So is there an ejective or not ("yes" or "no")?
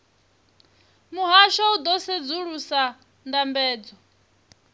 no